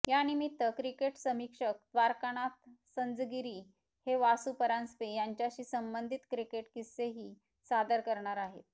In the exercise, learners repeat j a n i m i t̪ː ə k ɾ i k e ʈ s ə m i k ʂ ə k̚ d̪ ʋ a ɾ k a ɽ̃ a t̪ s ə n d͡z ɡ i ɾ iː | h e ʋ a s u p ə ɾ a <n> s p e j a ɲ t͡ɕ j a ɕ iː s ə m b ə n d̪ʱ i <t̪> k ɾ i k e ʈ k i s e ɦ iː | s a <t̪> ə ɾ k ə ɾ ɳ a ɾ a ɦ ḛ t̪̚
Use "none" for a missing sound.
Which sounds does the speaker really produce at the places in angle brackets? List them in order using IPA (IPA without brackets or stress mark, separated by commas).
n, t̪, d̪